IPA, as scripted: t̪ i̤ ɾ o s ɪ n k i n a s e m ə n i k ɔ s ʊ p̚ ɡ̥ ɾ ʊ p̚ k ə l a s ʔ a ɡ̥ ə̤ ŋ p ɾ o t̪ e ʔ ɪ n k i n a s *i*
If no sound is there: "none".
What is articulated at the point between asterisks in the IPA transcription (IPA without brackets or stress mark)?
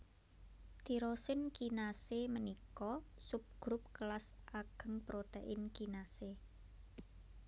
e